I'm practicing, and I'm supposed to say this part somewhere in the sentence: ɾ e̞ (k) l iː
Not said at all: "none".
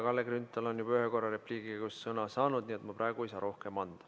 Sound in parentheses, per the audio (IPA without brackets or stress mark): p